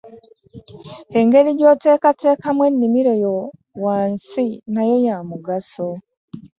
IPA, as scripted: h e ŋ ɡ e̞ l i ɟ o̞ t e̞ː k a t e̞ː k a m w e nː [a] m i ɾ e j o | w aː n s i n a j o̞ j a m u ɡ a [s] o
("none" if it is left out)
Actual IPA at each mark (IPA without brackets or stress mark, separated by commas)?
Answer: i, s